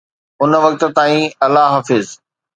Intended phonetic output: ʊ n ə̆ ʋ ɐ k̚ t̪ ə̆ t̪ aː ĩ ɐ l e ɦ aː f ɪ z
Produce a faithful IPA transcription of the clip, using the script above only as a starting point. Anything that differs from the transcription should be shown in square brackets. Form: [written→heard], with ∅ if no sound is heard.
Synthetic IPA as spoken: ʊ n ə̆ ʋ ɐ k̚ t̪ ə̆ t̪ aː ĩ ɐ l [e→a] ɦ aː f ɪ z